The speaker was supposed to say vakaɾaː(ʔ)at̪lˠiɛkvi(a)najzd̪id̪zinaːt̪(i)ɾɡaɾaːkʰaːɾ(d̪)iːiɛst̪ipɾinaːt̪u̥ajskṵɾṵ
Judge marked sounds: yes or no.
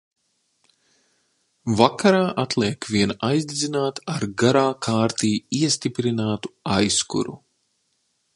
yes, no, no, no

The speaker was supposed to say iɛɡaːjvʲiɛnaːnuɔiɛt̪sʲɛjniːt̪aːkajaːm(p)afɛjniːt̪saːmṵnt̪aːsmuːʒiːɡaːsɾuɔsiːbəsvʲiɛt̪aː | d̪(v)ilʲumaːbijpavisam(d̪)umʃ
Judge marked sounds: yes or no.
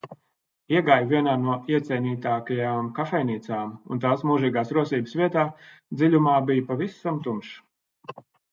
no, no, no

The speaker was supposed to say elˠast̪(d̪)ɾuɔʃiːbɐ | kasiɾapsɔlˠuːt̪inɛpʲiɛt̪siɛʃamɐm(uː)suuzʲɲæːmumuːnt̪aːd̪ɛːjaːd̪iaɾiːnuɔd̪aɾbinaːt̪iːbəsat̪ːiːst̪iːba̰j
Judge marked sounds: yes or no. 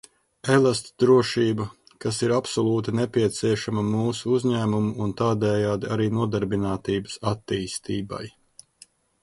yes, yes

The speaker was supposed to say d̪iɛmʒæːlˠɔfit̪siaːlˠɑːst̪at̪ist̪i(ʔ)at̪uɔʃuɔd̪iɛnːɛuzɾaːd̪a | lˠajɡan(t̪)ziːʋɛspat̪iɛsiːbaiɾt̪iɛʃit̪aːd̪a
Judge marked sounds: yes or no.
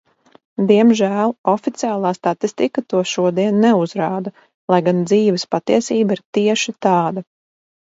no, no

